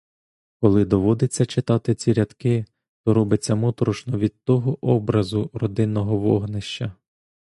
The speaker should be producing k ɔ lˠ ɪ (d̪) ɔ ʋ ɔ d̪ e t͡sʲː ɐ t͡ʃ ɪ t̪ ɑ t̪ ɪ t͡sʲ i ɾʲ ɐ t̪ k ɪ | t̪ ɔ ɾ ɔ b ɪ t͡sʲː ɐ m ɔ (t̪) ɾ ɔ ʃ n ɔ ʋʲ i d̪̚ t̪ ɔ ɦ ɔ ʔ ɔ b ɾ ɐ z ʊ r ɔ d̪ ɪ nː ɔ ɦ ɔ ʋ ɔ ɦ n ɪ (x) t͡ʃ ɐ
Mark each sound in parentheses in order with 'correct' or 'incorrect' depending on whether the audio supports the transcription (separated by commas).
correct, correct, incorrect